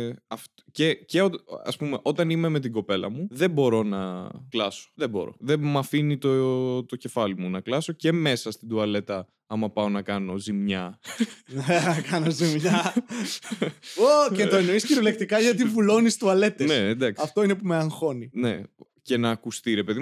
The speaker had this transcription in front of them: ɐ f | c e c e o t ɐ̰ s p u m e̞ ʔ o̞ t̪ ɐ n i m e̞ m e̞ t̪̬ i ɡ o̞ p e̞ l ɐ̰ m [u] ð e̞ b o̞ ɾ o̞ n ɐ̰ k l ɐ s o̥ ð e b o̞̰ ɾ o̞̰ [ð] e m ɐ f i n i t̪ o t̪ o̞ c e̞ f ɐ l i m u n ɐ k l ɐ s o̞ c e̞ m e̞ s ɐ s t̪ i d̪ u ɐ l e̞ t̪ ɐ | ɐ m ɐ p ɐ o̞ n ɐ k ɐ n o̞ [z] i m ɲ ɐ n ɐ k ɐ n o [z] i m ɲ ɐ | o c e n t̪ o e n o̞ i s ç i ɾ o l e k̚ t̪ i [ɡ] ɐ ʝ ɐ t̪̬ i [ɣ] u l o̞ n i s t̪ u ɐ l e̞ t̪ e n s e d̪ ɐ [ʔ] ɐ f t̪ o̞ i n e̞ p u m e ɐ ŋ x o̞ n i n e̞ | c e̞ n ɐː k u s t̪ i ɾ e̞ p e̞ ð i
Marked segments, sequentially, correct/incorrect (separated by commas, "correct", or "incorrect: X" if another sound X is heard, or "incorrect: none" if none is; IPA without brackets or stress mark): correct, correct, correct, correct, incorrect: k, incorrect: v, incorrect: k